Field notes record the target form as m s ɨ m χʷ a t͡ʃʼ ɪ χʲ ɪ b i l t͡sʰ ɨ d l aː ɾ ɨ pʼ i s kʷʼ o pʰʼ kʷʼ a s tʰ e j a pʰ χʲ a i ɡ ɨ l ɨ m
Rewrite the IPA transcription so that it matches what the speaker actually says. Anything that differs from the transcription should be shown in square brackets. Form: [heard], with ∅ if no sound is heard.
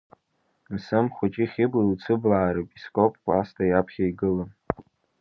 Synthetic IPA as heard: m s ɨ m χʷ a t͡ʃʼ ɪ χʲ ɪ b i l t͡sʰ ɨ [b] l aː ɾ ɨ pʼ i s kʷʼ o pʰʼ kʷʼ a s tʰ [a] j a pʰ χʲ a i ɡ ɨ l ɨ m